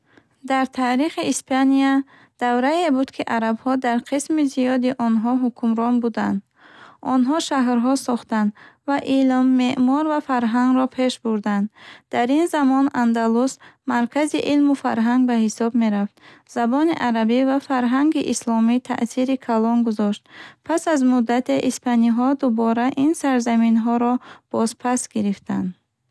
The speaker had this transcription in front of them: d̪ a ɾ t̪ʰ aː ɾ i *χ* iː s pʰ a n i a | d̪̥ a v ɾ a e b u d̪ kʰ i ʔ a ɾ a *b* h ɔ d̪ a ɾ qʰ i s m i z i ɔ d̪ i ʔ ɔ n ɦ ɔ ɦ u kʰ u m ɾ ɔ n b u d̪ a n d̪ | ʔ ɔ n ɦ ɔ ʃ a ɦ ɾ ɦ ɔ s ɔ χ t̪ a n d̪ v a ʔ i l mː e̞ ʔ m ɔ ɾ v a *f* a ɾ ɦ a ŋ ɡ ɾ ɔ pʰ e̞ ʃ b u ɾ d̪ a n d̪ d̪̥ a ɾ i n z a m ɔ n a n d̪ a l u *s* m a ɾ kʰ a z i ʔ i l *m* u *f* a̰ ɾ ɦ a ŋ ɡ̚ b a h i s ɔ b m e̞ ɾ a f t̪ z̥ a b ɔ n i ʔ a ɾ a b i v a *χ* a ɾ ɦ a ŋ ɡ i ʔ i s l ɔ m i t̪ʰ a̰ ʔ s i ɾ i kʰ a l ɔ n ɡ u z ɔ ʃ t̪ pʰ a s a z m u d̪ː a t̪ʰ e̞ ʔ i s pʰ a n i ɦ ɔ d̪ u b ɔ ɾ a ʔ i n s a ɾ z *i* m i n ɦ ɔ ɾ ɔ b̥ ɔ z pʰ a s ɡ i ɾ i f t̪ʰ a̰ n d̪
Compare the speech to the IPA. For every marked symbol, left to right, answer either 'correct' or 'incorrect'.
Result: correct, correct, correct, correct, correct, correct, incorrect, incorrect

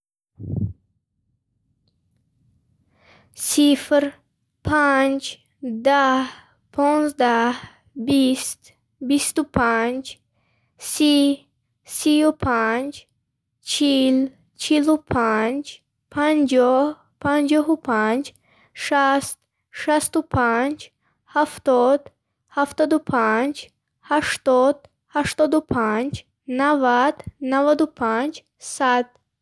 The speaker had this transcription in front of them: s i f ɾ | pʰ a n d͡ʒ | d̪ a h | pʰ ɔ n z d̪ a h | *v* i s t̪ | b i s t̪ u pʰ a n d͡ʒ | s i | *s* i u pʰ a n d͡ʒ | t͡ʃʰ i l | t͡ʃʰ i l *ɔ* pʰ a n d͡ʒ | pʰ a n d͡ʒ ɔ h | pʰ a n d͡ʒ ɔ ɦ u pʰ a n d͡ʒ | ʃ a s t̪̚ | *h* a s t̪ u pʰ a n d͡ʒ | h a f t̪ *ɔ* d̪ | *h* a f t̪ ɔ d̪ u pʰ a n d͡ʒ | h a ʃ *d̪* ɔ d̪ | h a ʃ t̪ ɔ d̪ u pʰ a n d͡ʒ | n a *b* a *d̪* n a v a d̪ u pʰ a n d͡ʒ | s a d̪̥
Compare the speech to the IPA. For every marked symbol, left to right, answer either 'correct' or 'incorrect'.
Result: incorrect, correct, incorrect, incorrect, correct, correct, incorrect, incorrect, correct

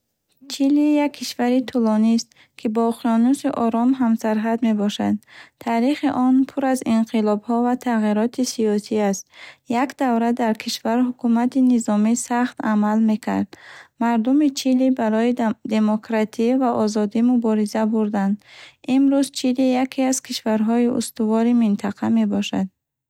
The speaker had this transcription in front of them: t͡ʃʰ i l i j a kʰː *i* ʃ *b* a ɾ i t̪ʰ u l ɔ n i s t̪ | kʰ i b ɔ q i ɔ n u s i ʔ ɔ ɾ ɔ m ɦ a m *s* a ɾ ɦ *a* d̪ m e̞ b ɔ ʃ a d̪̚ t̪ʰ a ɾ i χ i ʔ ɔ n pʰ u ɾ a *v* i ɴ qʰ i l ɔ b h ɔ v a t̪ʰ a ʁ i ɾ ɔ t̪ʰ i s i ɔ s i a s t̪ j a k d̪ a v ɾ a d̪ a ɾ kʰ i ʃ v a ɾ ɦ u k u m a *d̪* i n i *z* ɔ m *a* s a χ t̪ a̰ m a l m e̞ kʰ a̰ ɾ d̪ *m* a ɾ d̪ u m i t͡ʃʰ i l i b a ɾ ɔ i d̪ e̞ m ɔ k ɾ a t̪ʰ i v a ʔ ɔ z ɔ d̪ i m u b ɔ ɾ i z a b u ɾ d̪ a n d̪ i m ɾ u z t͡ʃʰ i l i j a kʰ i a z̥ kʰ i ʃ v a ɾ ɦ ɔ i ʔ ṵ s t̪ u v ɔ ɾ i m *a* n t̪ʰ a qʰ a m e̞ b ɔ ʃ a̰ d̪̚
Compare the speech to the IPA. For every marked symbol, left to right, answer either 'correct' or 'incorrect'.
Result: correct, incorrect, correct, correct, incorrect, incorrect, correct, incorrect, correct, incorrect

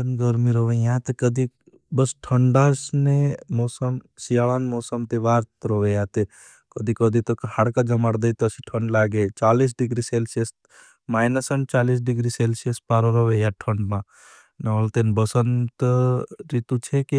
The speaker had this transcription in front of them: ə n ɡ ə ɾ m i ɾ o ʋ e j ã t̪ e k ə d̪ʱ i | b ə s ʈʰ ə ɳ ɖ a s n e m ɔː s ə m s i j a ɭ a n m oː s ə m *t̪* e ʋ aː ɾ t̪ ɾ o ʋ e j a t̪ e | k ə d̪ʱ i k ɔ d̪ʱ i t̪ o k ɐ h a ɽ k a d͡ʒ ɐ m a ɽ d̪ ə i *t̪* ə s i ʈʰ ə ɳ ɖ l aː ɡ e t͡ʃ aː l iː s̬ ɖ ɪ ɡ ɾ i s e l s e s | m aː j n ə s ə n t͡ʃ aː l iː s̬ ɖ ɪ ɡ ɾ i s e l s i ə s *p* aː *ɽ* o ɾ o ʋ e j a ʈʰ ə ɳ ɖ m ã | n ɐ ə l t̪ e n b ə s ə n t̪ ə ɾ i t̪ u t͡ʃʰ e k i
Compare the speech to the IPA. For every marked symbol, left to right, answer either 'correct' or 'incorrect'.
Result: correct, correct, correct, incorrect

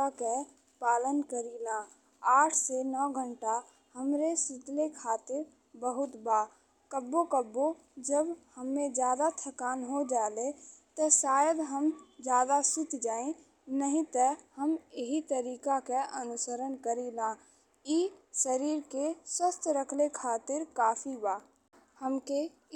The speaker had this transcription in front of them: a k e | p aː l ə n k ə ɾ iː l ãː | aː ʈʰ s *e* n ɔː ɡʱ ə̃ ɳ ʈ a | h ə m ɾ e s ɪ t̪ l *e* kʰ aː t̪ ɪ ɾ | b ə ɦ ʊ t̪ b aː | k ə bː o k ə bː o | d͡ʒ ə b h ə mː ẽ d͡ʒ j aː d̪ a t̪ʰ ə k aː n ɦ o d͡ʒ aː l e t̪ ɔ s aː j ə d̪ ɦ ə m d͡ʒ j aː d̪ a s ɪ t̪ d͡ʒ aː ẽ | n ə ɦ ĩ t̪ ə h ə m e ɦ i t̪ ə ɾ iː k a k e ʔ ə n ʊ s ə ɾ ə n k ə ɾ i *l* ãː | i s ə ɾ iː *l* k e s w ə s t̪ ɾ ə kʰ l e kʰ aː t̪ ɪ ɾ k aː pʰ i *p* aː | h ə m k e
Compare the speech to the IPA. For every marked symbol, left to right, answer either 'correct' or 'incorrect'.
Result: correct, correct, correct, incorrect, incorrect

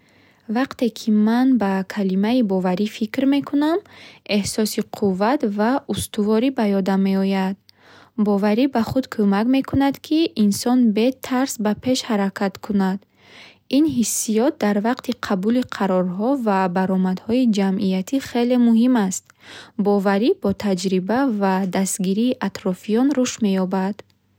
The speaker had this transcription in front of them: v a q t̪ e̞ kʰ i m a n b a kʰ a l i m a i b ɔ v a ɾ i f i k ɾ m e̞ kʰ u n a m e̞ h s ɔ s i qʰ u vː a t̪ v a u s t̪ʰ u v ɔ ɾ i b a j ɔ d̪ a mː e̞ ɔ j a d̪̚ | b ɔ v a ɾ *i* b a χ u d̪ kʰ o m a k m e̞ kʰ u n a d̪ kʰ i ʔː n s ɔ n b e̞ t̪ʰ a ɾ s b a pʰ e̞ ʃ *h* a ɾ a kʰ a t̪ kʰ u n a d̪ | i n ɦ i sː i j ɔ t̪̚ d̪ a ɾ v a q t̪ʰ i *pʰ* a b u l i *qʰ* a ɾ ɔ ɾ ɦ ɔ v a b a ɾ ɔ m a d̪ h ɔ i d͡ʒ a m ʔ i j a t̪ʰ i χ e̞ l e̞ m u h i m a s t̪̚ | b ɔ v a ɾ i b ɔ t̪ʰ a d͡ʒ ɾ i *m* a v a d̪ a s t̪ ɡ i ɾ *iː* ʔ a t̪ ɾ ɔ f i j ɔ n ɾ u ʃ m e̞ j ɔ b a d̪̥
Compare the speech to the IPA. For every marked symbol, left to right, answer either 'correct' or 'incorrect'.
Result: correct, correct, incorrect, correct, incorrect, correct

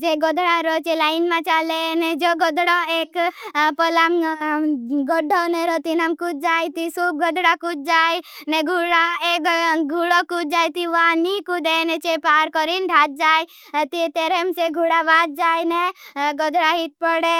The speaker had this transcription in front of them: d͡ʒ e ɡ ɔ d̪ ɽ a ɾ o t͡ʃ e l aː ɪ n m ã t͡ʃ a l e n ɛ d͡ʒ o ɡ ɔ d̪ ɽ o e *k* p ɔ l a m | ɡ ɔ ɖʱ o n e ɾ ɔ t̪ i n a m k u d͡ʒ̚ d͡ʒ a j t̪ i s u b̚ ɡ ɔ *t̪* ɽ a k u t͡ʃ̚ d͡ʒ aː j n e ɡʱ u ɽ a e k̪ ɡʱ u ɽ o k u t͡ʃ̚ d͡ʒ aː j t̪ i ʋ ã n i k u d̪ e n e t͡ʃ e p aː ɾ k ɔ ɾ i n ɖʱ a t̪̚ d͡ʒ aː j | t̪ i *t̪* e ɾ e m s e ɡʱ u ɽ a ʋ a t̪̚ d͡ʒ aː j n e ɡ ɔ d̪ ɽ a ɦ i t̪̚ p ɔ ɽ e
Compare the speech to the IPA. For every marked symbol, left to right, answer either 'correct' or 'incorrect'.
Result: correct, incorrect, correct

